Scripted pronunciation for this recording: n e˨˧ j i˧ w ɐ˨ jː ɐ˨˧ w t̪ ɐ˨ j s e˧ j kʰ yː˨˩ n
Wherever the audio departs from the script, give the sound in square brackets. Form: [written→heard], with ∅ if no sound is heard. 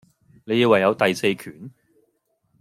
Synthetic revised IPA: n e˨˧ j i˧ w ɐ˨ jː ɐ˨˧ w t̪ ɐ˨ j s e˧ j kʰ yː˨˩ n